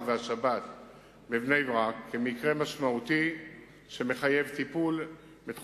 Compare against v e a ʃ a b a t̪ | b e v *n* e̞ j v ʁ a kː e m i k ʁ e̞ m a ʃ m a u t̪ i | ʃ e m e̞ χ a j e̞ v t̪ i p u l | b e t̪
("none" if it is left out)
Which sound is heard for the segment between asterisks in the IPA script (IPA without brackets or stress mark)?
n